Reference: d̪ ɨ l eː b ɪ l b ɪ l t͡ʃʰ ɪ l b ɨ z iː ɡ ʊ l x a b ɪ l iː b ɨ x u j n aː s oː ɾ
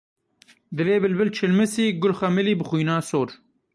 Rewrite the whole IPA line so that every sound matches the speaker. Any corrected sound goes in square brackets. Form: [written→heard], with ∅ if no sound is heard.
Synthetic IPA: d̪ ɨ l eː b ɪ l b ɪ l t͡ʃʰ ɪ l [b→m] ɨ [z→s] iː ɡ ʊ l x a [b→m] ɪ l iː b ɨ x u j n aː s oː ɾ